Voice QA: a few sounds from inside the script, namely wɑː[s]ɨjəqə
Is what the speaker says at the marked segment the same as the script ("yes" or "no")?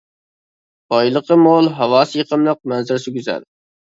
yes